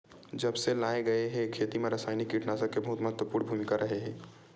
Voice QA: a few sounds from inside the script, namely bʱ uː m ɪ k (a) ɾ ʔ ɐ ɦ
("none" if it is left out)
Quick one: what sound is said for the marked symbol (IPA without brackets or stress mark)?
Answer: a